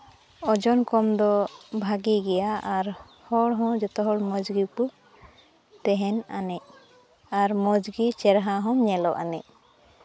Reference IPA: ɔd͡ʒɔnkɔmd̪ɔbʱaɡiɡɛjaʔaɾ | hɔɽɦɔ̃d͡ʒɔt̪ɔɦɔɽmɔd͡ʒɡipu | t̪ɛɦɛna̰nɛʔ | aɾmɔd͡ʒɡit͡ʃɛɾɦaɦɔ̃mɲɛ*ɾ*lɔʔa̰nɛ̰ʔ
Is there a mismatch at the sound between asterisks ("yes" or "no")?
yes